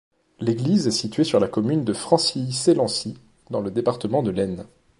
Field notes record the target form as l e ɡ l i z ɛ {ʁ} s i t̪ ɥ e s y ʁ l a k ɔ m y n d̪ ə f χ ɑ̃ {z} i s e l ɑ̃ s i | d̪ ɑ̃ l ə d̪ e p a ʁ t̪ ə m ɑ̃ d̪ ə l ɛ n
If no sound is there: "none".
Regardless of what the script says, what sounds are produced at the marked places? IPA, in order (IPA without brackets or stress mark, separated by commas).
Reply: none, s